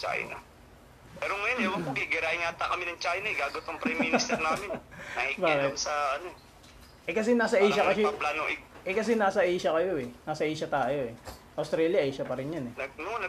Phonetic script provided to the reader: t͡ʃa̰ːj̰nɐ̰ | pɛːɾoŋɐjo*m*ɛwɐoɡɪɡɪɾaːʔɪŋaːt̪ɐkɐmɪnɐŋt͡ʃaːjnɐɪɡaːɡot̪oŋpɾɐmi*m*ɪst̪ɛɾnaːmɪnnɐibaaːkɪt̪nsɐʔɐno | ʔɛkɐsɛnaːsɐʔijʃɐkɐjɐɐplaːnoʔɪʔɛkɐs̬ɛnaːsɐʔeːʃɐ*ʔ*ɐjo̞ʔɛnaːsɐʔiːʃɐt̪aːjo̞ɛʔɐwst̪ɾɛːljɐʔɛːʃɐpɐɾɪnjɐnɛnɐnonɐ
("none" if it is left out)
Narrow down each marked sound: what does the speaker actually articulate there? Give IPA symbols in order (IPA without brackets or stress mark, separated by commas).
n, n, k